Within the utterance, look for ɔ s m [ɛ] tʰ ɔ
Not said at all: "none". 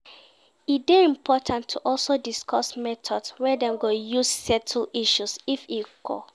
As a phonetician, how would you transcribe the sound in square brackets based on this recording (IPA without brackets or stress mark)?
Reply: ɛ